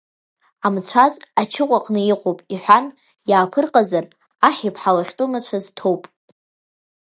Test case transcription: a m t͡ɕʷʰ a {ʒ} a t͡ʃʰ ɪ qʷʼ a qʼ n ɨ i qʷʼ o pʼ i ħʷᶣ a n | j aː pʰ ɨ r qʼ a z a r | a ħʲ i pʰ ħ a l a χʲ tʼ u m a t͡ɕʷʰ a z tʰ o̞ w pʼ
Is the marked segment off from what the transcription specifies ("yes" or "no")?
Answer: yes